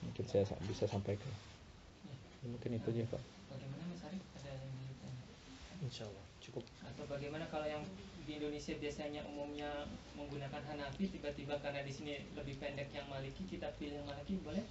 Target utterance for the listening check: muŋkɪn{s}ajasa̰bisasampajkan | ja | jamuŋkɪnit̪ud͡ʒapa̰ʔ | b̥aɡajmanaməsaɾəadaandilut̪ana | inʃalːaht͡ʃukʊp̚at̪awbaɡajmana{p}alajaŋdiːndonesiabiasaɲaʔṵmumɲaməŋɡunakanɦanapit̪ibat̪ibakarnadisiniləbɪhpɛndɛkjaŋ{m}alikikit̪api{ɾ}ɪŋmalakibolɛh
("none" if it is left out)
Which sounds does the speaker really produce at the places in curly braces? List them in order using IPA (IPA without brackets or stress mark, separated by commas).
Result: s, k, m, l